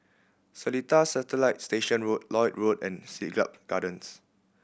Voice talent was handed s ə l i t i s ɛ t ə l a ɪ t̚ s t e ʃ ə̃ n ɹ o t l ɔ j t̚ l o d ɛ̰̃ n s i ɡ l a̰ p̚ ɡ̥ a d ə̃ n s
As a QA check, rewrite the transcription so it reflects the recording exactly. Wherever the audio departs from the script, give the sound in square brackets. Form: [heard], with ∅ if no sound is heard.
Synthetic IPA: s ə l i t [a] s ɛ t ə l a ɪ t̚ s t e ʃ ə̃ n ɹ o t l ɔ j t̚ [ɹ] o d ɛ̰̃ n s i ɡ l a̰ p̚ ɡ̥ a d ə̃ n s

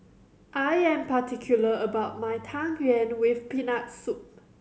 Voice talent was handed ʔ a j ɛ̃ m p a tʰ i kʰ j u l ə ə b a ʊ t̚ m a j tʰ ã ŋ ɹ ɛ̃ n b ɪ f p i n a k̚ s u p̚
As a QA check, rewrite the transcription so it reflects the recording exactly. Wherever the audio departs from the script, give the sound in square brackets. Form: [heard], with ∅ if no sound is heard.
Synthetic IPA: ʔ a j ɛ̃ m p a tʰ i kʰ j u l ə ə b a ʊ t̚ m a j tʰ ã ŋ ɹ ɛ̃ n [w] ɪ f p i n a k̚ s u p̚

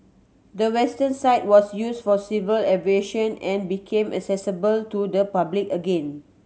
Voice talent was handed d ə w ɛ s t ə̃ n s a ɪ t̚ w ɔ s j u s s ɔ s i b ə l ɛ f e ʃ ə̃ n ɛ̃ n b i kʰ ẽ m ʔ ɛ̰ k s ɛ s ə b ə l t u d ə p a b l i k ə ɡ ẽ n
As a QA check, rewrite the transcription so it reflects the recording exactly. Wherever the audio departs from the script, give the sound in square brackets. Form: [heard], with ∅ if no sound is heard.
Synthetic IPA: d ə w ɛ s t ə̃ n s a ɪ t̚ w ɔ s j u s [f] ɔ s i [v] ə l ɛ [v] e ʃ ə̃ n ɛ̃ n b i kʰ ẽ m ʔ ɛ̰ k s ɛ s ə b ə l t u d ə p a b l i k ə ɡ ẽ n

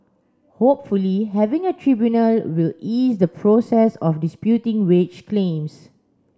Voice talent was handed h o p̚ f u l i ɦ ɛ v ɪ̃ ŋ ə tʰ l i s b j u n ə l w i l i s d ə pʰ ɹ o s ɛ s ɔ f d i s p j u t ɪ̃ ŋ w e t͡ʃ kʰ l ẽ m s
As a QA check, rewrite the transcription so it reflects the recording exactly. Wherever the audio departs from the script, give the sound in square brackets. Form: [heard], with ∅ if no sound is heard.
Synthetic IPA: h o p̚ f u l i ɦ ɛ v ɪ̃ ŋ ə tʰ [ɹ] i [∅] b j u n ə l w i l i s d ə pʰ ɹ o s ɛ s ɔ f d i s p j u t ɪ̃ ŋ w e t͡ʃ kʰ l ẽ m s

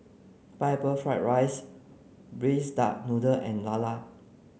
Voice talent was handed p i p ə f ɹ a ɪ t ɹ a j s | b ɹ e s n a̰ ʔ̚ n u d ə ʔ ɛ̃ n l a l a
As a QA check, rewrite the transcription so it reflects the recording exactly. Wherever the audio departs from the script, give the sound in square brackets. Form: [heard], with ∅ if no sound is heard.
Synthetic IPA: p [a] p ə f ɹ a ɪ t ɹ a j s | b ɹ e s [d] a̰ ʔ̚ n u d ə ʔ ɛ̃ n l a l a

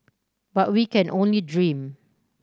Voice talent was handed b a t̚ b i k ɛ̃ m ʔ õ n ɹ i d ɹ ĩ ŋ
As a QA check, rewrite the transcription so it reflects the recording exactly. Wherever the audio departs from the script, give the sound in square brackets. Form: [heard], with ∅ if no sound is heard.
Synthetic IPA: b a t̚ [w] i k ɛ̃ [n] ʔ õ n [l] i d ɹ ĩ [m]

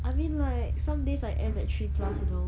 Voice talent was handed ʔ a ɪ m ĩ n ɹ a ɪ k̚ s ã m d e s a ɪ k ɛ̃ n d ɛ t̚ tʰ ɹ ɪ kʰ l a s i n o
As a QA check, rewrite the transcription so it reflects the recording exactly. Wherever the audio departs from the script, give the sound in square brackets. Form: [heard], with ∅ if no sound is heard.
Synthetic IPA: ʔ a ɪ m ĩ n [l] a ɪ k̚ s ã m d e s a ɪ [ʔ] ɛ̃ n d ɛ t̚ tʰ ɹ [i] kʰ l a s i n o

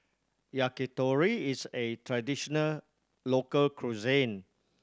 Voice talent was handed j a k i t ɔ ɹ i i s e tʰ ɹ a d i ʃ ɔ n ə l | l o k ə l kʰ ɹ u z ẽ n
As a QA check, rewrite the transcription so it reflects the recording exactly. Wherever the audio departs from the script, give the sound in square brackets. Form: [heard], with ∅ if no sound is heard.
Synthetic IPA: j a k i t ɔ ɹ i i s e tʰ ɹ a d i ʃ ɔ n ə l | l o k ə l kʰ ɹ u z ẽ n

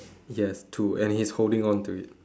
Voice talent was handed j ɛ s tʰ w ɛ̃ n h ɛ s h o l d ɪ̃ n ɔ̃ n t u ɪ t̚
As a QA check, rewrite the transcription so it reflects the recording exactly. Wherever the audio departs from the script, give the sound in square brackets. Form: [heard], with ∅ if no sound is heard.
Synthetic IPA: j ɛ s tʰ [u] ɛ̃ n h [i] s h o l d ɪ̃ [ŋ] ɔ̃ n t u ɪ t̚

